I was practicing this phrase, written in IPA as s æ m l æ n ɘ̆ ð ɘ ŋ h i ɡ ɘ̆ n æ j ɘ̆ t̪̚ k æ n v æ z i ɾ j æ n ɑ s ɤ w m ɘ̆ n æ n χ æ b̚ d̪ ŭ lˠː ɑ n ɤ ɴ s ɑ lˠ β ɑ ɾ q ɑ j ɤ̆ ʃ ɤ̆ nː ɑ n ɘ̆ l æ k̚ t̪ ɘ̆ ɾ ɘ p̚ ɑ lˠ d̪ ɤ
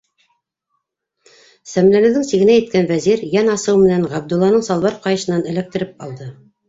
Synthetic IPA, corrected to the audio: s æ m l æ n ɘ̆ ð ɘ ŋ s i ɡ ɘ̆ n æ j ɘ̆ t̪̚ k æ n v æ z i ɾ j æ n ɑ s ɤ w m ɘ̆ n æ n ʁ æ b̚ d̪ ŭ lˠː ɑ n ɤ ɴ s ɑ lˠ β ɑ ɾ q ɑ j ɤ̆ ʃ ɤ̆ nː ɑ n ɘ̆ l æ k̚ t̪ ɘ̆ ɾ ɘ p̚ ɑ lˠ d̪ ɤ